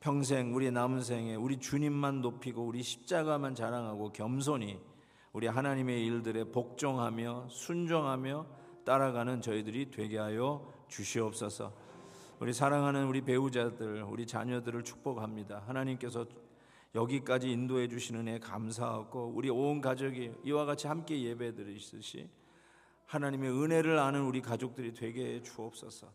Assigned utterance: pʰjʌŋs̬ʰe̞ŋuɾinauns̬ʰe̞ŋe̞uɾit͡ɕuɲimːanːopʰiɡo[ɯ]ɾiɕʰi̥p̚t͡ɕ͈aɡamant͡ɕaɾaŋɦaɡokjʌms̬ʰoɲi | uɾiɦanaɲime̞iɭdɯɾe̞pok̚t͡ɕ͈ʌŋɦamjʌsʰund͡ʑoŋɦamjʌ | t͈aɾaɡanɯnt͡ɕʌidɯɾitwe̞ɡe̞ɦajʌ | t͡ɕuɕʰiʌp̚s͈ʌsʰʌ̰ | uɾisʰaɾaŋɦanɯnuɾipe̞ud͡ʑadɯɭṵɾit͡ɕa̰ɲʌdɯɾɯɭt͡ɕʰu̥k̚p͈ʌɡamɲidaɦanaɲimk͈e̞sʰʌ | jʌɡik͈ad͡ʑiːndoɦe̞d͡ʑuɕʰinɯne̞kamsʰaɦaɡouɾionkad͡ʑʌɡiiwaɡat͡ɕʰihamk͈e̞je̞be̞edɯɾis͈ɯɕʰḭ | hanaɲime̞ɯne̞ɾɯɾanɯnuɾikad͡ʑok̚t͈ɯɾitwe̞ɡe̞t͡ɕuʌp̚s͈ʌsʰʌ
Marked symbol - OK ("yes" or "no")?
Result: no